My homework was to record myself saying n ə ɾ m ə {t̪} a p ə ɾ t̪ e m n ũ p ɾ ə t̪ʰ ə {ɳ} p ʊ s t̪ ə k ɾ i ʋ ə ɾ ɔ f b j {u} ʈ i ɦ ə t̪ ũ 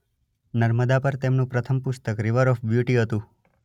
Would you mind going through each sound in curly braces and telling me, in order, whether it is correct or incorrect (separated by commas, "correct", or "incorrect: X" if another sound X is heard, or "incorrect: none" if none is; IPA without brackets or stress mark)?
incorrect: d̪, incorrect: m, correct